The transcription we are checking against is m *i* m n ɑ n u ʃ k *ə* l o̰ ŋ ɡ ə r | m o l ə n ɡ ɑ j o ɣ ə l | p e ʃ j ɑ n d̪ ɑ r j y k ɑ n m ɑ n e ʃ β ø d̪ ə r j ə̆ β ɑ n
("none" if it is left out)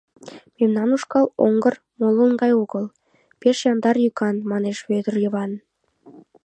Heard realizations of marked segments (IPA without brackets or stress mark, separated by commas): e, ɑ